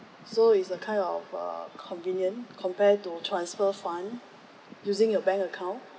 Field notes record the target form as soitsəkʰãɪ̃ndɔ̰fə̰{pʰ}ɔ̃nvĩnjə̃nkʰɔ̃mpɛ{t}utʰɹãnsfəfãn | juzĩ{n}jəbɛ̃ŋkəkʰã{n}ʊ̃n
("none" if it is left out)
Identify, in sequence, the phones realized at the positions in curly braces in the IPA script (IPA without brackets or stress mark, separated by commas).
kʰ, t, ŋ, none